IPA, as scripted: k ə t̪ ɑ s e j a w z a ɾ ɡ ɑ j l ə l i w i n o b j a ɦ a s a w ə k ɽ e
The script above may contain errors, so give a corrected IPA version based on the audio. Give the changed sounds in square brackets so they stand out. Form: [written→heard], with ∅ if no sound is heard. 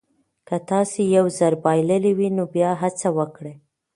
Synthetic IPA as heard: k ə t̪ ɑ s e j a w z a ɾ [ɡ→b] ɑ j l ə l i w i n o b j [a→ɑ] ɦ a [s→t͡s] a w ə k ɽ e